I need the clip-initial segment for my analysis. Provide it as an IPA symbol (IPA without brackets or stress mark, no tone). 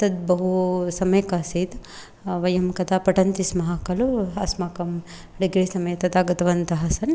t̪